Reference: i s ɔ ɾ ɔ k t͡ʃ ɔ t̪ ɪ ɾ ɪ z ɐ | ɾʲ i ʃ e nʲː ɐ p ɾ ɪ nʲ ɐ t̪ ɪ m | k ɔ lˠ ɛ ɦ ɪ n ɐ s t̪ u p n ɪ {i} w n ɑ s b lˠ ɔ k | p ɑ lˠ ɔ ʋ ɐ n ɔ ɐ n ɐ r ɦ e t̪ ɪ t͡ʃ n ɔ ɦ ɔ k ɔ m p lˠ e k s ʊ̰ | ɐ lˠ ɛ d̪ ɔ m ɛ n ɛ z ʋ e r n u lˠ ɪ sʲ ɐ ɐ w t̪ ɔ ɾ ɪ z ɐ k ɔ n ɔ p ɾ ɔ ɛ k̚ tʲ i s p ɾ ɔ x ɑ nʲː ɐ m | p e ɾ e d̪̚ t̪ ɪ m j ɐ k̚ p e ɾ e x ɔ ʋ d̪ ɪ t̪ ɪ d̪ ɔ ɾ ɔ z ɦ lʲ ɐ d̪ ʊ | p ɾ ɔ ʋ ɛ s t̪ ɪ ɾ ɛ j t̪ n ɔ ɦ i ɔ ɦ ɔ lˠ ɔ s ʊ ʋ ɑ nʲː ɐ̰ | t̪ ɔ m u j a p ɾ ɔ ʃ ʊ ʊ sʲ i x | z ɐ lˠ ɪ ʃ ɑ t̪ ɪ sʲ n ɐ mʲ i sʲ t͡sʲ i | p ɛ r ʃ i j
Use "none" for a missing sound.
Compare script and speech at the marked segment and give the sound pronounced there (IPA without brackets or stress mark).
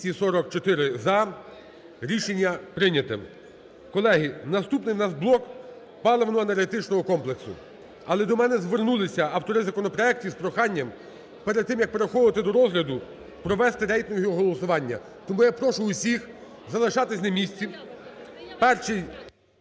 j